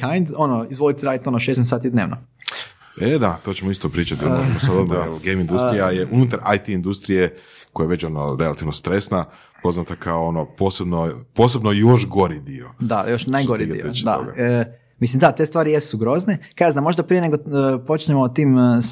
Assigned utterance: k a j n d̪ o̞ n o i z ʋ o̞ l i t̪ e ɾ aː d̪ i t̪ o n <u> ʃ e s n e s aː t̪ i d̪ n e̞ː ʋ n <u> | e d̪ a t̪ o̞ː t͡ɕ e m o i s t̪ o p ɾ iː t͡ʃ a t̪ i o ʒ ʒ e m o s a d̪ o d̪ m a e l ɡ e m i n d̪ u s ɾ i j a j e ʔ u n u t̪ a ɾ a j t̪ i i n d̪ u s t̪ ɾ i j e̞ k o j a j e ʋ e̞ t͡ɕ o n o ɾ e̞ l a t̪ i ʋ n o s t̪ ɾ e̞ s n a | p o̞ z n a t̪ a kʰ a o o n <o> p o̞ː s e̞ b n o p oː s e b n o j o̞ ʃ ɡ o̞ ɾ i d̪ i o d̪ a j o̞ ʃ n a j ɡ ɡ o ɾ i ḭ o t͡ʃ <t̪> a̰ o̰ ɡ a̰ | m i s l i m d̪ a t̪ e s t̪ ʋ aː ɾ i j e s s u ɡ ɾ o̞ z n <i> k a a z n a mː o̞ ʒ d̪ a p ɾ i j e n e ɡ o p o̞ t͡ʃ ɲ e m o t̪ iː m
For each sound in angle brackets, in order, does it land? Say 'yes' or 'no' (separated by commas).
no, no, yes, no, no